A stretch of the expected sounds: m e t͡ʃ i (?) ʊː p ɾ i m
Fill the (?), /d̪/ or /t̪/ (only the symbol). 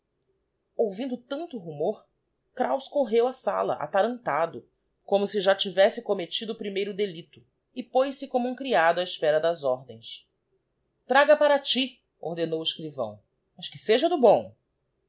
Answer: d̪